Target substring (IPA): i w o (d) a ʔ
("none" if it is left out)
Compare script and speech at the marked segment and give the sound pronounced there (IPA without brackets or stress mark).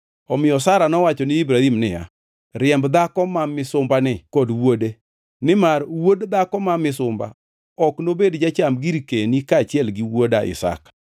d